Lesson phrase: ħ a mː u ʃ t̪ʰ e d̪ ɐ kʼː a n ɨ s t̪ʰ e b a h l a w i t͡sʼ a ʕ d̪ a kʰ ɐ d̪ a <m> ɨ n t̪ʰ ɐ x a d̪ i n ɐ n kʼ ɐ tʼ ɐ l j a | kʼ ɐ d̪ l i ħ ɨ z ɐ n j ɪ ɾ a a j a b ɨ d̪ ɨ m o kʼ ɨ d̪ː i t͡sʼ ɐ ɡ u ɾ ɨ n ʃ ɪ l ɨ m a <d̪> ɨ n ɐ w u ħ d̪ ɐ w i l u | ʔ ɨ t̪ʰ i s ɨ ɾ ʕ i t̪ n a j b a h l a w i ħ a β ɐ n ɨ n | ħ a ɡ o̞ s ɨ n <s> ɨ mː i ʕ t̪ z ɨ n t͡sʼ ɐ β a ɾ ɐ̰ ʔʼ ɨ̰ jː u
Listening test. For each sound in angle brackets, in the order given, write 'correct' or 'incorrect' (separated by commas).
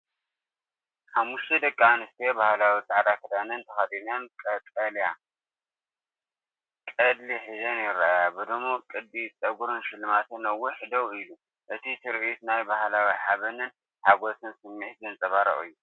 incorrect, incorrect, correct